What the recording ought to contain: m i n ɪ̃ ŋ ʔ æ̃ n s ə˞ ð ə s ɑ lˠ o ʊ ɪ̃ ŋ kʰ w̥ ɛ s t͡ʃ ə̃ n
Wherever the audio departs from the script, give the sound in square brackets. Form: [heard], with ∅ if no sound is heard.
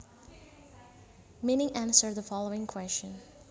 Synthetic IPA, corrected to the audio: m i n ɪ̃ ŋ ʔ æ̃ n s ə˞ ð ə [f] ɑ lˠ o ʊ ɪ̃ ŋ kʰ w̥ ɛ s t͡ʃ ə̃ n